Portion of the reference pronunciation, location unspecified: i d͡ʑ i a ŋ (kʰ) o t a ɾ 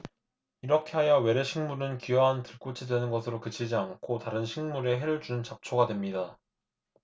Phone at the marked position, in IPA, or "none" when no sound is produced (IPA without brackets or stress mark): kʰ